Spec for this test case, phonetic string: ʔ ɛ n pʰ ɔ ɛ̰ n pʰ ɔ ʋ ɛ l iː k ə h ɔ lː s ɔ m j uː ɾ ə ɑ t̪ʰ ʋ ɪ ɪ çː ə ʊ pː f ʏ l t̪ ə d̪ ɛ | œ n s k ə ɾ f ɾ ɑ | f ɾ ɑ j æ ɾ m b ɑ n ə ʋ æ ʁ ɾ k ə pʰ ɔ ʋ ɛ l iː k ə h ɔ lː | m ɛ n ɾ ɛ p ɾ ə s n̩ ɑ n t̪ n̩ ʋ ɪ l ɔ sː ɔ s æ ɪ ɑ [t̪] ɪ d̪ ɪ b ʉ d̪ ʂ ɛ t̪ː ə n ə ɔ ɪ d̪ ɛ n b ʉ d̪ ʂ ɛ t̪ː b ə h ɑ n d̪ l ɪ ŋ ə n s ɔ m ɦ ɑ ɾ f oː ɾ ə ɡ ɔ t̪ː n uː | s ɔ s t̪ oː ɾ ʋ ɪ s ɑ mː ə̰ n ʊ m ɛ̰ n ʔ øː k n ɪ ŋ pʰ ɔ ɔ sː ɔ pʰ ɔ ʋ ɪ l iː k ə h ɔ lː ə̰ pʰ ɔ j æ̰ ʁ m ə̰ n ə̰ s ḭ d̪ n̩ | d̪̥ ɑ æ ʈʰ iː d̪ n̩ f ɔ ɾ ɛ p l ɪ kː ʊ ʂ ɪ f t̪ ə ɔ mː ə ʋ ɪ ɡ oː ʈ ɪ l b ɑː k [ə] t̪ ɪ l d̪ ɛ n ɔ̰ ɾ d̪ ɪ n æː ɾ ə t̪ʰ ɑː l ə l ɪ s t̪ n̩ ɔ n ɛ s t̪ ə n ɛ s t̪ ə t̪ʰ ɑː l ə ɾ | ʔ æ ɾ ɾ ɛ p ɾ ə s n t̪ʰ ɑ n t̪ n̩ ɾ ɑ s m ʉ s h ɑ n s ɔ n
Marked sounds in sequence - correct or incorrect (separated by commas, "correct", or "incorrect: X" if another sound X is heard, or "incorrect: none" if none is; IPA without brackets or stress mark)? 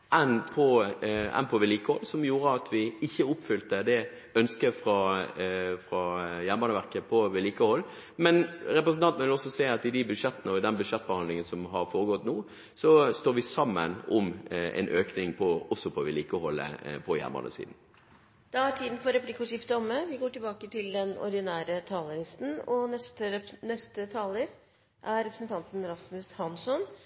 correct, correct